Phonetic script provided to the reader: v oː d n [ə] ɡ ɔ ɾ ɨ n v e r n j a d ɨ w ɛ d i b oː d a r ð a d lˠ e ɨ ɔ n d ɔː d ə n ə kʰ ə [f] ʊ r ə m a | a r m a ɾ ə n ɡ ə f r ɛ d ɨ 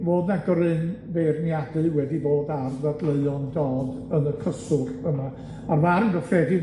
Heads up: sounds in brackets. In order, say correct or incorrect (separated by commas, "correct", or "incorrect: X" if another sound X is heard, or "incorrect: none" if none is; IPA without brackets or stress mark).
incorrect: a, incorrect: s